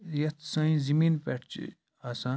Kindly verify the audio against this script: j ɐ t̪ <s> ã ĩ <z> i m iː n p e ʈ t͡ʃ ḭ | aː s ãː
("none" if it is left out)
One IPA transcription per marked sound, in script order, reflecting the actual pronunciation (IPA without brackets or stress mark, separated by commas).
s, z